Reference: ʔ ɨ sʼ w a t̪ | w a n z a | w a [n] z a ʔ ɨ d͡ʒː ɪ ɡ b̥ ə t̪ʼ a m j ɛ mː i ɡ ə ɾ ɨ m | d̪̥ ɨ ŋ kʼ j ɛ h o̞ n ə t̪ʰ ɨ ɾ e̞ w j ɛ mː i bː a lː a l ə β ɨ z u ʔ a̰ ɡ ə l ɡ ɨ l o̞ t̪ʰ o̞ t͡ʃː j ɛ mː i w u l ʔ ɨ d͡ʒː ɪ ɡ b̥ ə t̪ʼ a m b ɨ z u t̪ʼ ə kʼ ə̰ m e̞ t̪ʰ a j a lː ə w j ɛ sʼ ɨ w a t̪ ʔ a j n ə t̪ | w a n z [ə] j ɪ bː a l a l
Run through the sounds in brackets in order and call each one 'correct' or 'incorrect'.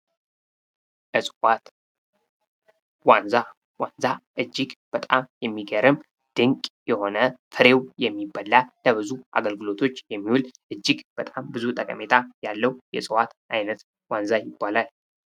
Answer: correct, incorrect: a

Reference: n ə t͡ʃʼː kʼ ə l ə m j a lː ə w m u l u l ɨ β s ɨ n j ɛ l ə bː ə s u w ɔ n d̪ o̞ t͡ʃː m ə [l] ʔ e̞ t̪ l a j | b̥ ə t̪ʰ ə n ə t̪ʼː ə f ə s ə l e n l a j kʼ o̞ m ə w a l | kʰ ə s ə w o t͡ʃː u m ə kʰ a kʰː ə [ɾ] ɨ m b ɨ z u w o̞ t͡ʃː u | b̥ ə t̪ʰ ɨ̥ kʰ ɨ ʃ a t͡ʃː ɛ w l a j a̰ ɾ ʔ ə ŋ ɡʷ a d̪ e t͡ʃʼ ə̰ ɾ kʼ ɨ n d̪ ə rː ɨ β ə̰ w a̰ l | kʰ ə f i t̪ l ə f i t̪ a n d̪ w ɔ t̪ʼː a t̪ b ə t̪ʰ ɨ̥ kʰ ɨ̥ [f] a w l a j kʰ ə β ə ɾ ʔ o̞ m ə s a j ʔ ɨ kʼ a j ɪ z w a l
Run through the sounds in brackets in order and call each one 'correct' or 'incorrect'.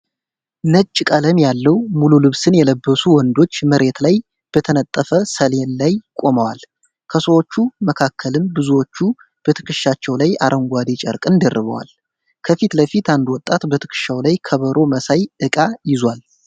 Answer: incorrect: ɾ, incorrect: l, incorrect: ʃ

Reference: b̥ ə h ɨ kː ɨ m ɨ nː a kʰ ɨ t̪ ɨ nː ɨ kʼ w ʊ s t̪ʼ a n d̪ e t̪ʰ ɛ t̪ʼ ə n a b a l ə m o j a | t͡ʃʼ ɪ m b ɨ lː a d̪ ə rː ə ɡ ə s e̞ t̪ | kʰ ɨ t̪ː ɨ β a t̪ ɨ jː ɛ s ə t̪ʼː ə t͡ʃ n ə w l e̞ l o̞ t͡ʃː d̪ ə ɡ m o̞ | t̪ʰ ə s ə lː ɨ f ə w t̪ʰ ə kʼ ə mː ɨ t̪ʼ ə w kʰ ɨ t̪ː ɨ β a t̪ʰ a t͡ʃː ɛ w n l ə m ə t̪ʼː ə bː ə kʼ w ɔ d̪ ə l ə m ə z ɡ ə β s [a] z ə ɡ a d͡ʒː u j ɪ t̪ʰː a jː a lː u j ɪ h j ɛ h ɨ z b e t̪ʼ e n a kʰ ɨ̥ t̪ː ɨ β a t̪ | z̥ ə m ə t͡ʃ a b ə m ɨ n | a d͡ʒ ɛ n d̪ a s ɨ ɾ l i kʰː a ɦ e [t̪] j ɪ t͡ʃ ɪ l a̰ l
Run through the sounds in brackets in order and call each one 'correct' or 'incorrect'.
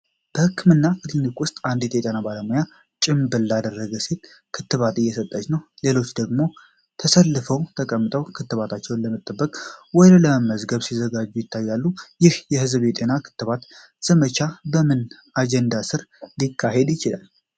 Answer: incorrect: i, incorrect: d̪

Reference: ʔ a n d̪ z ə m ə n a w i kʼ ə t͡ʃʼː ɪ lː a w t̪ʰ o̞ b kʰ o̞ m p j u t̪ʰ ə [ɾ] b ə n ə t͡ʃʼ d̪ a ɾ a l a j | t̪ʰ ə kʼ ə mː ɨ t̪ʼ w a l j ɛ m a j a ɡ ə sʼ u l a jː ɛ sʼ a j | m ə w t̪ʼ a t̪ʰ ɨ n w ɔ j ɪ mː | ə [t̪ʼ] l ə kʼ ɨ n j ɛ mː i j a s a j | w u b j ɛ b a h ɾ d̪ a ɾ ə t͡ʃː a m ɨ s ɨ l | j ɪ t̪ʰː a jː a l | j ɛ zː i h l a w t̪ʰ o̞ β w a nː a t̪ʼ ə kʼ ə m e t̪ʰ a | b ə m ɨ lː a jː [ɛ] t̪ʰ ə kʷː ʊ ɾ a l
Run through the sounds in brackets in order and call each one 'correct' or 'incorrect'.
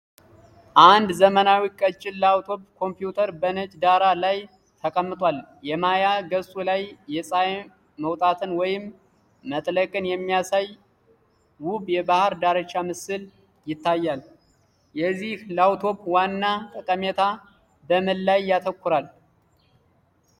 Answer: correct, correct, incorrect: a

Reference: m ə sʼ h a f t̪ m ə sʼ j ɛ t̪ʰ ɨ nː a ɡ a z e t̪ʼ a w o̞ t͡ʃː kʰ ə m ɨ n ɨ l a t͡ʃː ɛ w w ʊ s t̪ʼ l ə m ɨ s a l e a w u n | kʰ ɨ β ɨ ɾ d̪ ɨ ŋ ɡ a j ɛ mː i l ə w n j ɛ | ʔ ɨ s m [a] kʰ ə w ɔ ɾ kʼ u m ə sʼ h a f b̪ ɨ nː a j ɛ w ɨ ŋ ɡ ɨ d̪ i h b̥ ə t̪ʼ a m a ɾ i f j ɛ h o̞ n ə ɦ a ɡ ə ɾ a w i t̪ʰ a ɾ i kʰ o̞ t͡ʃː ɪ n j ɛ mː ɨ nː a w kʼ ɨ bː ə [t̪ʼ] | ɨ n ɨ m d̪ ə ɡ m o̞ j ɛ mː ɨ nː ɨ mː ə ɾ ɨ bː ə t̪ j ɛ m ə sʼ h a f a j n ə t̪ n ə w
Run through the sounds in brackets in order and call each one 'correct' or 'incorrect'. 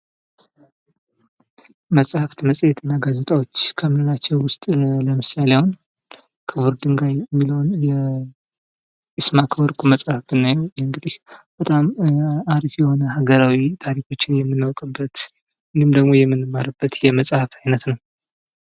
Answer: correct, incorrect: t̪

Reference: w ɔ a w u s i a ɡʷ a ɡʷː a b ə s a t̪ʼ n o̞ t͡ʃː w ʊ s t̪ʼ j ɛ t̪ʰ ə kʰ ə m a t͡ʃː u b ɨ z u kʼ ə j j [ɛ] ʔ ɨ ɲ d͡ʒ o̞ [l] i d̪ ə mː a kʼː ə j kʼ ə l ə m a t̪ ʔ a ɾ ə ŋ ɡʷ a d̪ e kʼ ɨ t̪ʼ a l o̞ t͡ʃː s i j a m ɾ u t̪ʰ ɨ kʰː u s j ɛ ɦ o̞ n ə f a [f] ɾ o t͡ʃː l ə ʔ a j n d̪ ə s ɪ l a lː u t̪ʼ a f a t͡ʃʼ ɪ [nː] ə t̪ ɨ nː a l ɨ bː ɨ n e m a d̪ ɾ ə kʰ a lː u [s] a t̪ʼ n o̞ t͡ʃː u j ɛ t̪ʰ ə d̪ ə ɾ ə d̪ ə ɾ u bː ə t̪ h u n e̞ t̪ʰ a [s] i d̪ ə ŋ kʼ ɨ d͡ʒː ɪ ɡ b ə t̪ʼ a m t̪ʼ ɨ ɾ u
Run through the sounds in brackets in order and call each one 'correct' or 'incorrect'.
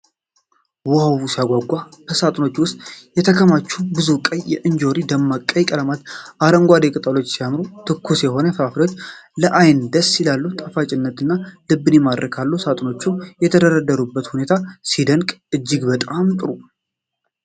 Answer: correct, incorrect: ɾ, correct, correct, correct, correct

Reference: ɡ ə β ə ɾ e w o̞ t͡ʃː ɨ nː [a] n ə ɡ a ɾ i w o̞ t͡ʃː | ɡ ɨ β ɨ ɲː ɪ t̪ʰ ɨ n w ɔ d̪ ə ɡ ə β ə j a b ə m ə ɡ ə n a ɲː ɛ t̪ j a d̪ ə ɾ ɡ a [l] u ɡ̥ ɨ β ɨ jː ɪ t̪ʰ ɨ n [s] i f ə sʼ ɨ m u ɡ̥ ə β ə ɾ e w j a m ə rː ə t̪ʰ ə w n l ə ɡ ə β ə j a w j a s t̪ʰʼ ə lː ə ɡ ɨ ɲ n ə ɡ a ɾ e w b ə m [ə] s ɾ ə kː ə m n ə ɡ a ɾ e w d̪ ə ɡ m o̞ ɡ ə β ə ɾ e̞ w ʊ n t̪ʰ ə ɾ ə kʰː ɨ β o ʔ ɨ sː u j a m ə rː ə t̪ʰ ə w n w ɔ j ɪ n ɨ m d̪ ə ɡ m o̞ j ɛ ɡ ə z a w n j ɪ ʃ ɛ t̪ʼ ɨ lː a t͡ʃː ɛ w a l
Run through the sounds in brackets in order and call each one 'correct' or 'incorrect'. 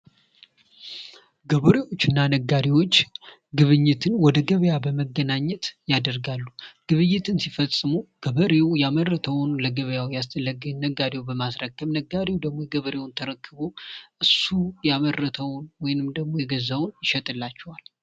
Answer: correct, incorrect: lː, correct, incorrect: a

